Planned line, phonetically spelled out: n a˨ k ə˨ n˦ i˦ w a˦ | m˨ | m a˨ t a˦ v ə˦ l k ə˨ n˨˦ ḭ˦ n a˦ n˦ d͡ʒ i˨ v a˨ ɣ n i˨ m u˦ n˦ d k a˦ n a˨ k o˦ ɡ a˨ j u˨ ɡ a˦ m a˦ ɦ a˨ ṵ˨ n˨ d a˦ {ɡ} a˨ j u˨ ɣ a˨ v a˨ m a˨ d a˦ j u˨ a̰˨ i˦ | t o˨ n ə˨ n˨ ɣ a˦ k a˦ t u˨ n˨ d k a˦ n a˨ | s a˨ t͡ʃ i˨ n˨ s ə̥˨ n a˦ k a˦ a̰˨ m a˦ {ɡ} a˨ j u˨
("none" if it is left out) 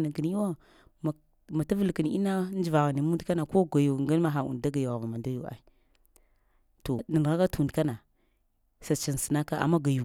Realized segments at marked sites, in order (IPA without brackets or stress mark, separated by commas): ɡ, ɡ